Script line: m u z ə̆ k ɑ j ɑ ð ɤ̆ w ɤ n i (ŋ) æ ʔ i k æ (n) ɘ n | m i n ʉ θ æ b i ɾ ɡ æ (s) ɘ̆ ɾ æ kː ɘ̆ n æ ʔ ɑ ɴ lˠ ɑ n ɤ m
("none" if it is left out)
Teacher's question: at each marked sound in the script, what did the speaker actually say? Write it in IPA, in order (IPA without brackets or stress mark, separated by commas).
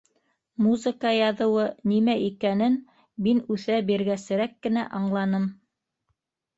m, n, s